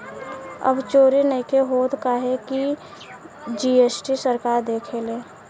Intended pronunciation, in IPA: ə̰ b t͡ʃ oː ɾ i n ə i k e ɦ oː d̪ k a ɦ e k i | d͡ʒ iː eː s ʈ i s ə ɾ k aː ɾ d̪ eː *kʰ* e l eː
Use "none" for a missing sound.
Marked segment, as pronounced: kʰ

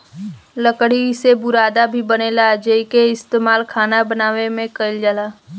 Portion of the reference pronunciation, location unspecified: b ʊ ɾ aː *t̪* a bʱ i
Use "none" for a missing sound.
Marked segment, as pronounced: d̪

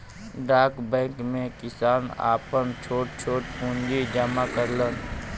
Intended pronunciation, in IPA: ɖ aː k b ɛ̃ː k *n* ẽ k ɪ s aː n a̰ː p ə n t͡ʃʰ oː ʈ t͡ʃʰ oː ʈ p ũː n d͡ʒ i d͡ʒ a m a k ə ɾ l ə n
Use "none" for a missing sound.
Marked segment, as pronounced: m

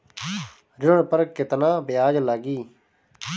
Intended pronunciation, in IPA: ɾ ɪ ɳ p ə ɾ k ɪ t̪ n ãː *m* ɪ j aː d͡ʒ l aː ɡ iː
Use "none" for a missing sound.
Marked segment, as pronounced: b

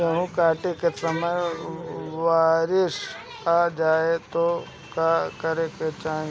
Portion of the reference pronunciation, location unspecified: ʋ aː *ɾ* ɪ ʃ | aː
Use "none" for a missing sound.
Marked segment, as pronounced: ɾ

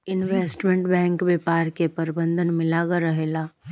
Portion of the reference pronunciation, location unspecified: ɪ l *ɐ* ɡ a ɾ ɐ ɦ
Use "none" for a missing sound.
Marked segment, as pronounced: a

